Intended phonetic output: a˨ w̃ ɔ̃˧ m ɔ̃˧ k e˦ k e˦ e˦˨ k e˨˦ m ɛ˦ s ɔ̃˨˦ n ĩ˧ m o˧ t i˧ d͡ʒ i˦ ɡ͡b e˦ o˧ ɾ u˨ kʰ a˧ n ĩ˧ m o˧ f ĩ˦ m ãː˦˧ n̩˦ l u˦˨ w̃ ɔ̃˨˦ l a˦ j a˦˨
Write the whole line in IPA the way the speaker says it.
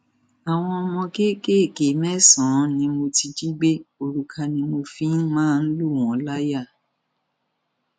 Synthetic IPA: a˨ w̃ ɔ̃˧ m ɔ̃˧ k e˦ k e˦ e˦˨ k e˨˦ m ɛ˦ s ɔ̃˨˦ n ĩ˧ m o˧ t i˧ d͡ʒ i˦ ɡ͡b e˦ o˧ ɾ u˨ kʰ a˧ n ĩ˧ m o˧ f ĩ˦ m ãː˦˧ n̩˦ l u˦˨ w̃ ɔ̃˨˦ l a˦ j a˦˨